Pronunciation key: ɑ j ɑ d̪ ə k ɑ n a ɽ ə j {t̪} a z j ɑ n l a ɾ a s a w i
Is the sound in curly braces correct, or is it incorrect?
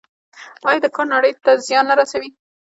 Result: correct